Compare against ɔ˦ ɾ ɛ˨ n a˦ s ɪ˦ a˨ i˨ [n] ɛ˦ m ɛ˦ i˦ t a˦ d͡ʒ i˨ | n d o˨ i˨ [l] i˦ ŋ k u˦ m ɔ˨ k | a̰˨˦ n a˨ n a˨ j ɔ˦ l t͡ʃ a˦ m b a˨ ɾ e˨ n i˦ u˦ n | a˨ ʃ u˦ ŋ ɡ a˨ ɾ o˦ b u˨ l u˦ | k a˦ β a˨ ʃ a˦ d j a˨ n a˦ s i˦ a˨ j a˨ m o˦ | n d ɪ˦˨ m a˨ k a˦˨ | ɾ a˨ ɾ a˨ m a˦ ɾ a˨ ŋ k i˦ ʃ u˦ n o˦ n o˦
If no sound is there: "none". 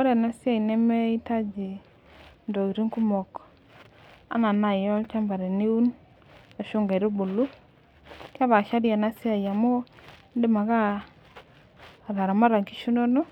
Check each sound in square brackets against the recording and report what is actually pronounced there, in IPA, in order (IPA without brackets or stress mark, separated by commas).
n, ɾ